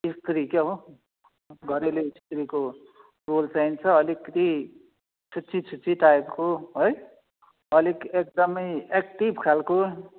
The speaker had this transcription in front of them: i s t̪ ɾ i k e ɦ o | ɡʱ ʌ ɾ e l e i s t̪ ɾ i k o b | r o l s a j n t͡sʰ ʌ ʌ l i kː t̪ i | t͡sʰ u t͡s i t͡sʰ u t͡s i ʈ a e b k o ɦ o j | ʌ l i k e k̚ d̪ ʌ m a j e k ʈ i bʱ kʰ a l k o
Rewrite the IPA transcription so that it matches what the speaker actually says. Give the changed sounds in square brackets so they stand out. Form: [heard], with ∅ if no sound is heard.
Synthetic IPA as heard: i s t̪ ɾ i k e ɦ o | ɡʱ ʌ ɾ e l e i s t̪ ɾ i k o [∅] | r o l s a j n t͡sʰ ʌ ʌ l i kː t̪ i | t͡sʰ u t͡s i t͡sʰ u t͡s i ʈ a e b k o ɦ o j | ʌ l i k e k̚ d̪ ʌ m [ʌ] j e k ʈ i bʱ kʰ a l k o